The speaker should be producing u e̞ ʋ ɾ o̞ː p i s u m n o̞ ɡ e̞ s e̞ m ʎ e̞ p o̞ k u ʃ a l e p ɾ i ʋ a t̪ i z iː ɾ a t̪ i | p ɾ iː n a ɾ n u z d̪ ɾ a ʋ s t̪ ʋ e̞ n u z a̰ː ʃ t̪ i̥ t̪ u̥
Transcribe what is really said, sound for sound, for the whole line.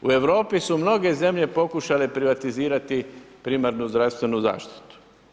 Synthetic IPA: u e̞ ʋ ɾ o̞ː p i s u m n o̞ ɡ e̞ z e̞ m ʎ e̞ p o̞ k u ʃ a l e p ɾ i ʋ a t̪ i z iː ɾ a t̪ i | p ɾ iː m a ɾ n u z d̪ ɾ a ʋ s t̪ ʋ e̞ n u z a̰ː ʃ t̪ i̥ t̪ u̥